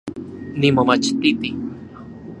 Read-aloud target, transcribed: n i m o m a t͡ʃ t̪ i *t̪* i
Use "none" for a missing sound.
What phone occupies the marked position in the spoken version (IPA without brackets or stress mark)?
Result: t̪